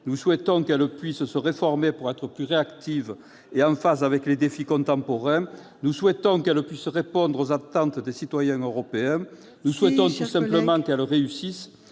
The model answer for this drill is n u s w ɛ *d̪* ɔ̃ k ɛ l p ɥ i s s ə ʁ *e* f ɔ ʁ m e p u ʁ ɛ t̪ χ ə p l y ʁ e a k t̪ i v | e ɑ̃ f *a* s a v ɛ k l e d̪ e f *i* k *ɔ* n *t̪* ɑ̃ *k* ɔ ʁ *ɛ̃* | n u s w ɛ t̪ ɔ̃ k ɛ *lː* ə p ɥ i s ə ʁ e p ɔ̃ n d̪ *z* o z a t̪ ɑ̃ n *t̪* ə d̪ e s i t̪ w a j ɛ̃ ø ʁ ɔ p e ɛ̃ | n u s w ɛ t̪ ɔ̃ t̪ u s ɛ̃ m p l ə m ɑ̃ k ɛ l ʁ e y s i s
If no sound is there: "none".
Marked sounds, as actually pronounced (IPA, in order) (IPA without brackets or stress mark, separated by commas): t̪, e, a, i, ɔ̃, t̪, p, ɛ̃, l, ʁ, t̪